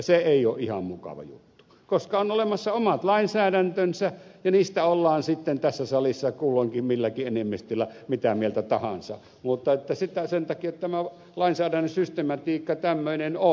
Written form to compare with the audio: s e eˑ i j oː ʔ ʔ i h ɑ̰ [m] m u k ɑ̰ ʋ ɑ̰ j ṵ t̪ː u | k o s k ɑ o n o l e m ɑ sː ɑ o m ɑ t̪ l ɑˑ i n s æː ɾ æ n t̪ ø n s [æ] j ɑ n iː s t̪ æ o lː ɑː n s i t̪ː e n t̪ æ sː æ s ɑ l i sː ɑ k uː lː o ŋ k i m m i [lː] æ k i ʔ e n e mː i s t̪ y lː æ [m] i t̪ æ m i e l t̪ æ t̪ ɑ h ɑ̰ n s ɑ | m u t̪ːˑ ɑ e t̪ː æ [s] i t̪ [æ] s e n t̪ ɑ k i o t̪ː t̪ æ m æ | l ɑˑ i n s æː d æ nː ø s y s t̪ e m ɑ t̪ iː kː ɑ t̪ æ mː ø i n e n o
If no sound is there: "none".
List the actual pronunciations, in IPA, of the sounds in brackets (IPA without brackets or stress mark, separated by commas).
m, æ, lː, m, s, æ